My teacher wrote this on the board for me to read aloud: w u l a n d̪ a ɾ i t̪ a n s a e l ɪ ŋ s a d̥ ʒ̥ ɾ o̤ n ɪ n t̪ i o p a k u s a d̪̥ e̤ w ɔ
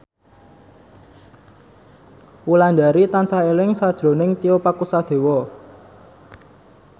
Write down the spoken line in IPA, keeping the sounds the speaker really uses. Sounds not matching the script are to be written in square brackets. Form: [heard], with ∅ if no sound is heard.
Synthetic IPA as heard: w u l a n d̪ a ɾ i t̪ a n s a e l ɪ ŋ s a d̥ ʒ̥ ɾ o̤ n ɪ [ŋ] t̪ i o p a k u s a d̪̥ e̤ w ɔ